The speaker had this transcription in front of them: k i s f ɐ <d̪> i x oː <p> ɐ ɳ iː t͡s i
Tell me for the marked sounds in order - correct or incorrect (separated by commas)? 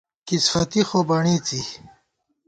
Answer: incorrect, incorrect